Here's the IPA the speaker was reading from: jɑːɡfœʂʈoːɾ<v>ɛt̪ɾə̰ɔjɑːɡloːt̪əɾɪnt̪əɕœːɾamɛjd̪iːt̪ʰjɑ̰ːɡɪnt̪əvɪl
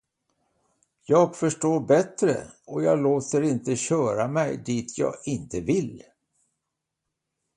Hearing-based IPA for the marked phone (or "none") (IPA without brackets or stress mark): b